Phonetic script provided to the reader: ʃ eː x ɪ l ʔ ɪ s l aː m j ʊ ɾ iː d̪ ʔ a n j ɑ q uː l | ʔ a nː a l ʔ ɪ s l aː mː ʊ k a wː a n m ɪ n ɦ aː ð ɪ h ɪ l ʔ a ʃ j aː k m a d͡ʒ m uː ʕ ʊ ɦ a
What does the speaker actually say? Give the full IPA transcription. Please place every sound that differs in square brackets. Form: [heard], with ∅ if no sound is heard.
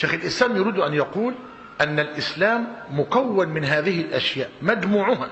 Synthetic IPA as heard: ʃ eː x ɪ l ʔ ɪ s l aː m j ʊ ɾ iː d̪ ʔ a n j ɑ q uː l | ʔ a nː a l ʔ ɪ s l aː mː ʊ k a wː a n m ɪ n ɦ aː ð ɪ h ɪ l ʔ a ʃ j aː [ʔ] m a d͡ʒ m uː ʕ ʊ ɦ a

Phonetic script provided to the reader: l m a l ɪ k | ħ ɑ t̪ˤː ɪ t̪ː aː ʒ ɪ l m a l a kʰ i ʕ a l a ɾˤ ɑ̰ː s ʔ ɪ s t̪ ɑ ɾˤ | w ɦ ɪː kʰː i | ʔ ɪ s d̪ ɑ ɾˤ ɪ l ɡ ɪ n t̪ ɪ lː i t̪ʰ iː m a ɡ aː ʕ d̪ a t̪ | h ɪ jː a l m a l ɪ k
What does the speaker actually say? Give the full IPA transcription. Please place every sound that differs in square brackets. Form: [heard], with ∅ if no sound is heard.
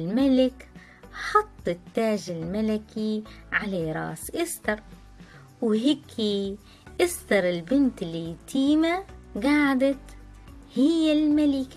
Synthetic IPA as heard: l m a l ɪ k | ħ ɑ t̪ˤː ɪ t̪ː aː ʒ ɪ l m a l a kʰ i ʕ a l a ɾˤ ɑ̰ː s ʔ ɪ s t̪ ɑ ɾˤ | w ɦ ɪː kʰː i | ʔ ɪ s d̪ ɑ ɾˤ ɪ l [b] ɪ n t̪ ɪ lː i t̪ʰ iː m a ɡ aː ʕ d̪ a t̪ | h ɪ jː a l m a l ɪ k

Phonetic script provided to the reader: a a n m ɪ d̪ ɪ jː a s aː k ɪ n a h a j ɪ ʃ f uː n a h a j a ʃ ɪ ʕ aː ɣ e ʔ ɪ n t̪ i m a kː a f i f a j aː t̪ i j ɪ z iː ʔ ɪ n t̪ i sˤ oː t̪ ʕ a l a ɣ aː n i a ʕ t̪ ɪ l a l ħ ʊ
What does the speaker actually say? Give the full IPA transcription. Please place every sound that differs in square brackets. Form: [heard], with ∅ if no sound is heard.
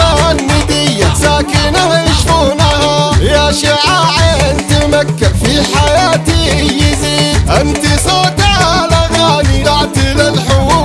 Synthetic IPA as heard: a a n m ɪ d̪ ɪ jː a s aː k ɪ n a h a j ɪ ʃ f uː n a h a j a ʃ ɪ ʕ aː [ʕ] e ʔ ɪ n t̪ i m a kː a f i [ħ] a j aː t̪ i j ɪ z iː ʔ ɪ n t̪ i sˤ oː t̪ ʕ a l a ɣ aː n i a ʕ t̪ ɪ l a l ħ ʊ

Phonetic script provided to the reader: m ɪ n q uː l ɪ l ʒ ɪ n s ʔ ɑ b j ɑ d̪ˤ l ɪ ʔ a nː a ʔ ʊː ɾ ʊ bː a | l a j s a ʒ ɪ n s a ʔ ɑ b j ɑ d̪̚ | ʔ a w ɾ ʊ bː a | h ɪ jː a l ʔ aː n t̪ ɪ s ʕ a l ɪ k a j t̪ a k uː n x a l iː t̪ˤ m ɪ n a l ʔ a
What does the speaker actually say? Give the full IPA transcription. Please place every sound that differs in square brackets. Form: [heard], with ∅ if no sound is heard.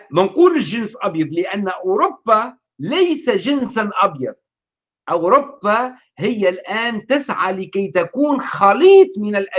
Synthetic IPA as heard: m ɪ n q uː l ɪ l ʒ ɪ n s ʔ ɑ b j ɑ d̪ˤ l ɪ ʔ a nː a ʔ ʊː ɾ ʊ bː a | l a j s a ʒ ɪ n s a ʔ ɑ b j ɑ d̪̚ | ʔ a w ɾ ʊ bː a | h ɪ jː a l ʔ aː n t̪ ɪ s ʕ a l ɪ k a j t̪ a k uː n x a l iː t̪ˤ m ɪ n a l ʔ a

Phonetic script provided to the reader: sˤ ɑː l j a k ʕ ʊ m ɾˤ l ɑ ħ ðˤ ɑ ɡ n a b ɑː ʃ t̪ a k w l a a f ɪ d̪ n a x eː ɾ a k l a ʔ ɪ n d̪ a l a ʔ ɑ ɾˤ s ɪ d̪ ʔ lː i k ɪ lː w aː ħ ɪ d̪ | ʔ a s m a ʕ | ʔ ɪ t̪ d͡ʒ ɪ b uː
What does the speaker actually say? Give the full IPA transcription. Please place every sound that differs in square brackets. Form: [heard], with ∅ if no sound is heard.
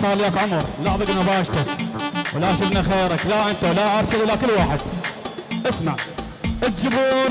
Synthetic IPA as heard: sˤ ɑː l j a k ʕ ʊ m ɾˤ l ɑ ħ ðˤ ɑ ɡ n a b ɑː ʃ t̪ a k w l a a [ʃ] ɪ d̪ n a x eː ɾ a k l a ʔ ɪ n [t̪] a l a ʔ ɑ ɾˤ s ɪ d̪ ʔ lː [a] k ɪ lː w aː ħ ɪ d̪ | ʔ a s m a ʕ | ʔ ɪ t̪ d͡ʒ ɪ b uː

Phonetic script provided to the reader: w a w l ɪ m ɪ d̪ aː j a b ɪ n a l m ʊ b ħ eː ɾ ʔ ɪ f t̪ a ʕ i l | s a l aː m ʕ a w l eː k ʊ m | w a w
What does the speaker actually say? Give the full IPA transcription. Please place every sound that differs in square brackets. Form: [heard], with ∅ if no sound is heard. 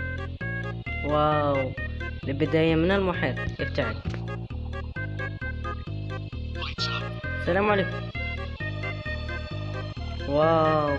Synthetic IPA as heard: w a w l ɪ [b] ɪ d̪ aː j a [m] ɪ n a l m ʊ [∅] ħ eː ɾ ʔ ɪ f t̪ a ʕ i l | s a l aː m ʕ a [∅] l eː k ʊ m | w a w

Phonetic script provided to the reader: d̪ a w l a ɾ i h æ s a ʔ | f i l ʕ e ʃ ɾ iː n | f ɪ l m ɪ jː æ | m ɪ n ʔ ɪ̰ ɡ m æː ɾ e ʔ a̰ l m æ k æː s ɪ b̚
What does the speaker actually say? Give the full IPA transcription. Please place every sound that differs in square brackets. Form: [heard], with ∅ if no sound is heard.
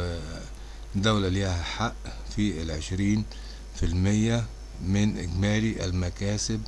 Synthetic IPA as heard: d̪ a w l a [l] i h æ [ħ] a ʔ | f i l ʕ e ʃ ɾ iː n | f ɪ l m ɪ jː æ | m ɪ n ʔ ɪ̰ ɡ m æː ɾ [i] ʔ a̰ l m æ k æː s ɪ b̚

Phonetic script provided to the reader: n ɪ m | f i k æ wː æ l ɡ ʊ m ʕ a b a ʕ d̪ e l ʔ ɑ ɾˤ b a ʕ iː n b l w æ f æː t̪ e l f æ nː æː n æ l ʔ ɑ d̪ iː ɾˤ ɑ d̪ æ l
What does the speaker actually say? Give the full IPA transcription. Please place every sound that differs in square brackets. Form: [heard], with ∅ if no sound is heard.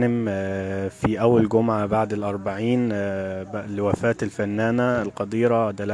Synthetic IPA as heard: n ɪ m | f i [ʔ] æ wː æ l ɡ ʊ m ʕ a b a ʕ d̪ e l ʔ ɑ ɾˤ b a ʕ iː n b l w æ f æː t̪ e l f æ nː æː n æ l [q] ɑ d̪ iː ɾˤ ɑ d̪ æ l

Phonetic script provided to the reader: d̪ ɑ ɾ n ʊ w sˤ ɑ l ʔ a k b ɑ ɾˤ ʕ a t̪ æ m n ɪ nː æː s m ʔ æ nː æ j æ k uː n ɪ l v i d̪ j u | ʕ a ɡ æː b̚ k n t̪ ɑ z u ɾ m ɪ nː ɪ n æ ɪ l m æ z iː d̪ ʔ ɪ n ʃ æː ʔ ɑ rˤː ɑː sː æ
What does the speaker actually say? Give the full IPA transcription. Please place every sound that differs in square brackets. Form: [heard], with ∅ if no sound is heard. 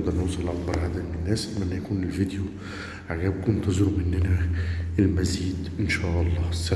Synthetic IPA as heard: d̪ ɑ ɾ n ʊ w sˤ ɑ l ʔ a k b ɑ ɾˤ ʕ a [d̪] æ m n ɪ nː æː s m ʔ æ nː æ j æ k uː n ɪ l v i d̪ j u | ʕ a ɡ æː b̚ k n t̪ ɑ z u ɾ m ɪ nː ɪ n æ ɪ l m æ z iː d̪ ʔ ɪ n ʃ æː ʔ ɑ [lˤː] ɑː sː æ

